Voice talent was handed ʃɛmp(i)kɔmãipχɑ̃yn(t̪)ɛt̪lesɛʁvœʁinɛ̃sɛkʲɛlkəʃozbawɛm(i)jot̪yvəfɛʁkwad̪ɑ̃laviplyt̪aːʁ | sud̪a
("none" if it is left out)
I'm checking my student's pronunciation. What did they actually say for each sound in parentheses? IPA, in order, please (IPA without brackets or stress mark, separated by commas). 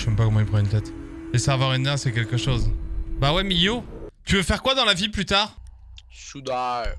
a, t̪, i